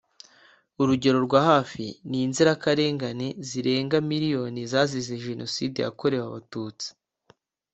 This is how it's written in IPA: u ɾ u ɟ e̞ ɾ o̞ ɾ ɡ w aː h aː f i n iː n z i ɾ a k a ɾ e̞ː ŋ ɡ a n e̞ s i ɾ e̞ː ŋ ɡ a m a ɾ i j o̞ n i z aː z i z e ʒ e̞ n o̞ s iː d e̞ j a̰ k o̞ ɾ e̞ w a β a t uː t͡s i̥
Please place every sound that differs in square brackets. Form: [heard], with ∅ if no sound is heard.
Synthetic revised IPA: u ɾ u ɟ e̞ ɾ o̞ ɾ ɡ w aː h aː f i n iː n z i ɾ a k a ɾ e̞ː ŋ ɡ a n e̞ [z] i ɾ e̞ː ŋ ɡ a m [i] ɾ i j o̞ n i z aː z i z e ʒ e̞ n o̞ s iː d e̞ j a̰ k o̞ ɾ e̞ w a β a t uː t͡s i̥